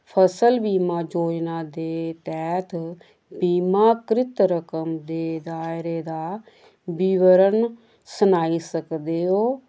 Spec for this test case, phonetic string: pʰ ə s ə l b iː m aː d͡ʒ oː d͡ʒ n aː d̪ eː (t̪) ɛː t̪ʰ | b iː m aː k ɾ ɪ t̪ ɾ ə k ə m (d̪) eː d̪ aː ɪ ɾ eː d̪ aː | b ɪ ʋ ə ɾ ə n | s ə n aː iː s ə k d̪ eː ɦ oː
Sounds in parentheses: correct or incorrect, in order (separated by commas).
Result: correct, correct